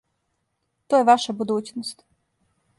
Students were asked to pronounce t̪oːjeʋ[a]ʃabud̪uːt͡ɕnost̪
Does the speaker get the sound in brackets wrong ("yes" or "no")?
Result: no